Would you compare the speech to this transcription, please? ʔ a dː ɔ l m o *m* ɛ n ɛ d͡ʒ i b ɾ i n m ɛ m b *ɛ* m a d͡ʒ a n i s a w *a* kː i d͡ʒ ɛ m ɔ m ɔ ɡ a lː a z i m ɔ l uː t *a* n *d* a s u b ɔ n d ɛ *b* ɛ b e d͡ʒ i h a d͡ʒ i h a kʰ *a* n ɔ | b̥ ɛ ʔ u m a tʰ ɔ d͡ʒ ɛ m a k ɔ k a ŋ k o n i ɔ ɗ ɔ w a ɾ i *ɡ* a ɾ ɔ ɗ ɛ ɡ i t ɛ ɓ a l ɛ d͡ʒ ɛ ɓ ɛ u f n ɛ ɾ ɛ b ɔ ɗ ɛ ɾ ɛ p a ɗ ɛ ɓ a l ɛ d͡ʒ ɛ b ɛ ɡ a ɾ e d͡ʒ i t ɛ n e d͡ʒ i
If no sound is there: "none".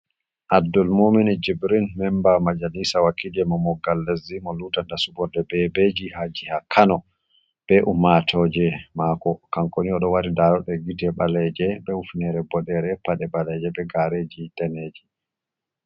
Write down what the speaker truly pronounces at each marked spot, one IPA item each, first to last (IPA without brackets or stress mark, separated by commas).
m, a, a, a, d, b, a, d